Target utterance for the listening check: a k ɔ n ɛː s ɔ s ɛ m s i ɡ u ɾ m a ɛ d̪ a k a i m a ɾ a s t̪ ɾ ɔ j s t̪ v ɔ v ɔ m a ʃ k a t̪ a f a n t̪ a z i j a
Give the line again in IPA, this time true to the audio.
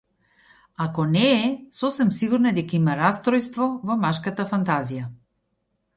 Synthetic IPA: a k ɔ n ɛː s ɔ s ɛ m s i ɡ u ɾ n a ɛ d̪ ɛ k a i m a ɾ a s t̪ ɾ ɔ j s t̪ v ɔ v ɔ m a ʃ k a t̪ a f a n t̪ a z i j a